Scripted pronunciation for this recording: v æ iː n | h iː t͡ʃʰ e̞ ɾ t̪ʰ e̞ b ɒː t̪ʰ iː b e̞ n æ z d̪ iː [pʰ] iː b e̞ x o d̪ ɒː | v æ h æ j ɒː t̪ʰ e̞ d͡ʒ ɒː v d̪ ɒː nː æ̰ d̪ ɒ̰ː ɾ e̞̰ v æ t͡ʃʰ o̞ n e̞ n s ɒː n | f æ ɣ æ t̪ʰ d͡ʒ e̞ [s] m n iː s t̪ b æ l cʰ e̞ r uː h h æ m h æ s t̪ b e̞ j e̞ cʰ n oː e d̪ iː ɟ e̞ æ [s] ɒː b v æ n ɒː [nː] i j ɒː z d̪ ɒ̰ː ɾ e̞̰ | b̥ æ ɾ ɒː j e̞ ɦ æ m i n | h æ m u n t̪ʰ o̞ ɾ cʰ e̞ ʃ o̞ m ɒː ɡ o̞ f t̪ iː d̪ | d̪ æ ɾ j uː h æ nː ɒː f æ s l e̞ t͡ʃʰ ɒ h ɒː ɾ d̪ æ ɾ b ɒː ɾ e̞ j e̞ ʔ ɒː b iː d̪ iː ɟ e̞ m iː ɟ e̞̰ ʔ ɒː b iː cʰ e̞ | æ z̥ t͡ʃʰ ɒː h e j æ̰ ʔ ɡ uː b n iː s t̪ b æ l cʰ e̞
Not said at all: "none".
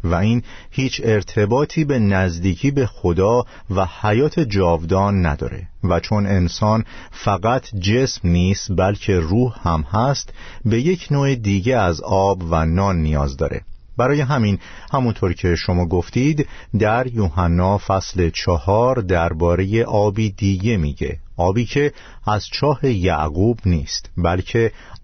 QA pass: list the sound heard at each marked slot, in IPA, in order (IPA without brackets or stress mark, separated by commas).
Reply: cʰ, s, z, nː